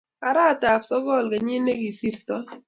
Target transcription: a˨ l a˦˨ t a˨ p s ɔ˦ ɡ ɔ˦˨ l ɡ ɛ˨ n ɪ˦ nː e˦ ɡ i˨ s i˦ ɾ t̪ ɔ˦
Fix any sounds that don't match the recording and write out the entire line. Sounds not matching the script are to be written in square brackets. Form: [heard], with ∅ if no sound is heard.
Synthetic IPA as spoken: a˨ [ɾ] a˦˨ t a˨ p s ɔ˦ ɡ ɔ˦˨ l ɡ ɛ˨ [ɲ] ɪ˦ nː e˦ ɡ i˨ s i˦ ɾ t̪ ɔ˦